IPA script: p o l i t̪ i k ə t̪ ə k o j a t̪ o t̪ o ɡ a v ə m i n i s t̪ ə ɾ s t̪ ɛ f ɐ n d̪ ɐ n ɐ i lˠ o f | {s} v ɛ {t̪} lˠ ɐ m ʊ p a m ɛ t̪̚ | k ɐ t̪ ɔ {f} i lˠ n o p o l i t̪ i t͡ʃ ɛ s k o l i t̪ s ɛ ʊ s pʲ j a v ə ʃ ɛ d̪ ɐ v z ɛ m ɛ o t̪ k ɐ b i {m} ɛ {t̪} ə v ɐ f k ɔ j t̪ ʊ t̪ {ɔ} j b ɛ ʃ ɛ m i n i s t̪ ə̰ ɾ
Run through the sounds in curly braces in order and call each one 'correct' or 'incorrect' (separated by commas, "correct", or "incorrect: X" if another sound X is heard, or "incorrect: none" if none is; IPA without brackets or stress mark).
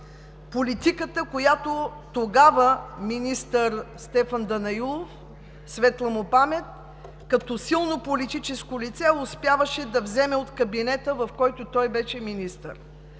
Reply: correct, correct, incorrect: s, incorrect: n, correct, correct